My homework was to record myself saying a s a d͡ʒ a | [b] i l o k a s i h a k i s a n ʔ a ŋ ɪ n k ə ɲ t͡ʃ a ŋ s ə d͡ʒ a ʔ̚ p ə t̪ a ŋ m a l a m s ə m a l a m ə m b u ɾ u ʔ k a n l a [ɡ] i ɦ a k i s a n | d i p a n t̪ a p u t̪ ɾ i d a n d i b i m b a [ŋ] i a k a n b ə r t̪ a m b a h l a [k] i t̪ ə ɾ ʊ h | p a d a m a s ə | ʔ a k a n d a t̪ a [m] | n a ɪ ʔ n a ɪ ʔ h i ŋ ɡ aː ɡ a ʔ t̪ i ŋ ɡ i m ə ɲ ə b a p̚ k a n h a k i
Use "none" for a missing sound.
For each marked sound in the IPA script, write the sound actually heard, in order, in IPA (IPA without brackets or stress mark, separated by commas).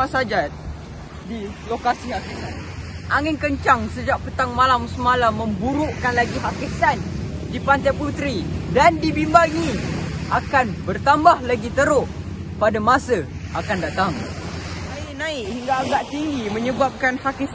d, ɡ, ŋ, ɡ, ŋ